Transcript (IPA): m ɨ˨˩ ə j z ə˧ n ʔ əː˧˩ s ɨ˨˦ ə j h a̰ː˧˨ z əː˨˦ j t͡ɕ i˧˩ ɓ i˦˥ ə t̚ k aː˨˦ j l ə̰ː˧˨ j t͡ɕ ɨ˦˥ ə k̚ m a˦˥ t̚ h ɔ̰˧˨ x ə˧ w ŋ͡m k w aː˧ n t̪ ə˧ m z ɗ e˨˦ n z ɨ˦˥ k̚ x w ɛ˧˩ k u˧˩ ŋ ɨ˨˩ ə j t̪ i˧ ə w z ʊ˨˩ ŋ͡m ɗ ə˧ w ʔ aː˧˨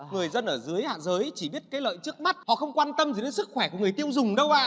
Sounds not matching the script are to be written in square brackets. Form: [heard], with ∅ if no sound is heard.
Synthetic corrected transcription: [ŋ] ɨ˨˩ ə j z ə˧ n ʔ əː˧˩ [z] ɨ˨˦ ə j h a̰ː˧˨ z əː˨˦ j t͡ɕ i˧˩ ɓ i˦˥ ə t̚ k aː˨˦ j l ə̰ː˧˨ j t͡ɕ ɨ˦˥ ə k̚ m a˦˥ t̚ h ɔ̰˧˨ x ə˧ w ŋ͡m k w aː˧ n t̪ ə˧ m z ɗ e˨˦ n [s] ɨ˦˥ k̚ x w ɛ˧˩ k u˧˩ ŋ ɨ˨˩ ə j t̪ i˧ ə w z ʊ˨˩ ŋ͡m ɗ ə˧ w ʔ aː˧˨